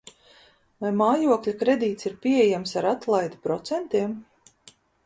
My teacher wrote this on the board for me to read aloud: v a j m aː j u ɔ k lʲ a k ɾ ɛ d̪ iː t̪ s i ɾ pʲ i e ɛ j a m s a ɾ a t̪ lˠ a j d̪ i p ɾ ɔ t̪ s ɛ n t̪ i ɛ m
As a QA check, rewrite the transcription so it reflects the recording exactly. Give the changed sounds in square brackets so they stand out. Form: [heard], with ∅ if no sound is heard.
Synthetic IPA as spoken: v a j m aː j u ɔ k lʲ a k ɾ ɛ d̪ iː t̪ s i ɾ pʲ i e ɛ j a m s a ɾ a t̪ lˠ a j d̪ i p ɾ ɔ t̪ s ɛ n t̪ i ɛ m